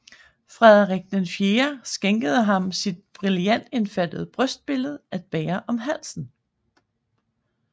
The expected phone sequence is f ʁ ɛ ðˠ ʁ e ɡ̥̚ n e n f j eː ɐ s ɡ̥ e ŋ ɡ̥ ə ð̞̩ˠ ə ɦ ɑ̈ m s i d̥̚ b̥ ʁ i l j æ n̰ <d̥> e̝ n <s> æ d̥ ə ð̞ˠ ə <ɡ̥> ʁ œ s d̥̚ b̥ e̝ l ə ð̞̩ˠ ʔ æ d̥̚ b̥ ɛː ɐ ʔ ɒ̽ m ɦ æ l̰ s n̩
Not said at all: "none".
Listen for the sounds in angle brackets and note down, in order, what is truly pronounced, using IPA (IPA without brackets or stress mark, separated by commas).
d̥, f, b̥